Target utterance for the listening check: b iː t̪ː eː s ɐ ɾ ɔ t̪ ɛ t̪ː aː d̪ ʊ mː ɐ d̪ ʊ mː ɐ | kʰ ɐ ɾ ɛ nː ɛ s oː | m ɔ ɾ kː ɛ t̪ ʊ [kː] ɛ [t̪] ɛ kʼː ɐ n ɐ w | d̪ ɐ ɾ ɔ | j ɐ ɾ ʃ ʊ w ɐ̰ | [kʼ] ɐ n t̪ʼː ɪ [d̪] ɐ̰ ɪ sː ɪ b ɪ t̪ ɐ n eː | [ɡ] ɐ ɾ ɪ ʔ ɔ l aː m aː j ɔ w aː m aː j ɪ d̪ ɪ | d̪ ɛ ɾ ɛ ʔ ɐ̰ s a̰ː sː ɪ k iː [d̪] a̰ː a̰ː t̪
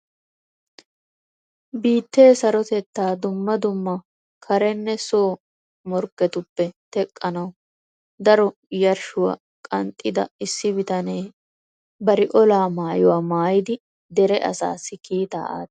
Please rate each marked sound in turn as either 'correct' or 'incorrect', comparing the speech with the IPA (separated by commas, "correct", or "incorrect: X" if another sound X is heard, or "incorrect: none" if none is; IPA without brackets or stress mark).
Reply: incorrect: pː, correct, correct, correct, incorrect: b, incorrect: t̪